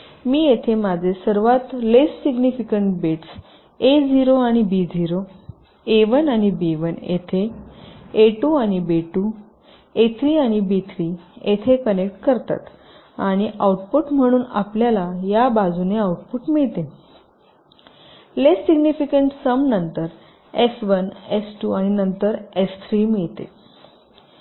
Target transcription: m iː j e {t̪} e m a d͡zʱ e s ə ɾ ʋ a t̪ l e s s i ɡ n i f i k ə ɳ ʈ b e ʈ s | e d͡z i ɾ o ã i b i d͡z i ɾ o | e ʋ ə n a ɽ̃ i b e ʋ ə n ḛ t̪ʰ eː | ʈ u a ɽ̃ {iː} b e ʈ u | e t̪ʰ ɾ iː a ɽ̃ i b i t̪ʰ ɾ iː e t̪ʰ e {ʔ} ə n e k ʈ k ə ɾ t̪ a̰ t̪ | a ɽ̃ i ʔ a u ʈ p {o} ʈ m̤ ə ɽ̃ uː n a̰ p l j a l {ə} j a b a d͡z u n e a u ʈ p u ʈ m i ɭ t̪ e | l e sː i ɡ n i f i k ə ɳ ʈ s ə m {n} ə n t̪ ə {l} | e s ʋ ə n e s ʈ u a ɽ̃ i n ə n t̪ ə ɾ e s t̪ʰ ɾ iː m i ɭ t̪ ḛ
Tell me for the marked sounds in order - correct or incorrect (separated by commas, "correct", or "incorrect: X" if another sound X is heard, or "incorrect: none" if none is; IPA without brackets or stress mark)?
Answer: incorrect: t̪ʰ, incorrect: i, incorrect: k, incorrect: u, incorrect: a, correct, incorrect: ɾ